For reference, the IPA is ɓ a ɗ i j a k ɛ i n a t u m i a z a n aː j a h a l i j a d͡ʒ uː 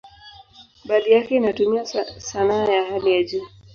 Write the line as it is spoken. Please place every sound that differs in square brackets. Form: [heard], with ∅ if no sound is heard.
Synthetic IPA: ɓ a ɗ i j a k ɛ i n a t u m i a [s] a n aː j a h a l i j a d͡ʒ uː